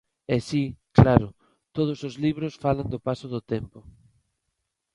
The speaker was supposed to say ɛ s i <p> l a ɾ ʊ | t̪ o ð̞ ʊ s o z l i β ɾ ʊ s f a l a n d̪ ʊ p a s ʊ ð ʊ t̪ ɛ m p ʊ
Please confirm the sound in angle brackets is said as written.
no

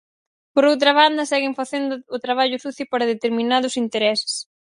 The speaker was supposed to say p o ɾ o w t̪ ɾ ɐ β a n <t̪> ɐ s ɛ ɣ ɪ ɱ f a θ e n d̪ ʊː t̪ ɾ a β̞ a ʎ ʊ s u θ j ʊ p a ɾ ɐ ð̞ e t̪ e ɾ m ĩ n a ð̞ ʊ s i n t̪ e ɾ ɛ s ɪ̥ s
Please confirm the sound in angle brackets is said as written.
no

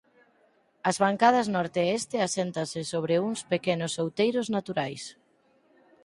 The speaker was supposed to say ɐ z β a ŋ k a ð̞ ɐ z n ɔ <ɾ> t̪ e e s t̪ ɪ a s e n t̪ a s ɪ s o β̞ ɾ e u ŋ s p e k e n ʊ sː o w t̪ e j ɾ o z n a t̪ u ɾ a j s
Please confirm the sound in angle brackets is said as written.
yes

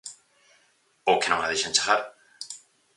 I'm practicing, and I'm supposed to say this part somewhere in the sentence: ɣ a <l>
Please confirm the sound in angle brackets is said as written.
no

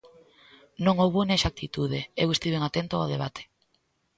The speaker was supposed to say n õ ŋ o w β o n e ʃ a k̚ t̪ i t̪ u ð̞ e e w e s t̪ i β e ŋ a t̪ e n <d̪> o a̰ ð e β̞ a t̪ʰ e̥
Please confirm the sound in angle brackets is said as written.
no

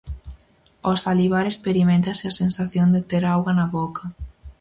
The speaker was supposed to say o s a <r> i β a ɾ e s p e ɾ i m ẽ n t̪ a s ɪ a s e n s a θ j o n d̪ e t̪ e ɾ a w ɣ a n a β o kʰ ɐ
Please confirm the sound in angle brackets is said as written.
no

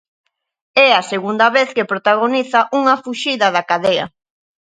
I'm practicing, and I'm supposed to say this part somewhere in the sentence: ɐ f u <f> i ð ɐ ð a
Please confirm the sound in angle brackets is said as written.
no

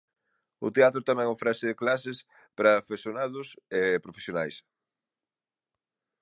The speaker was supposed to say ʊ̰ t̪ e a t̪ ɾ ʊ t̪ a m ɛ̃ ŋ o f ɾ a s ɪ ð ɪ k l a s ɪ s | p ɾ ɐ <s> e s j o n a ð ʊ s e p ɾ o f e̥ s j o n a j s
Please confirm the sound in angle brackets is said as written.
no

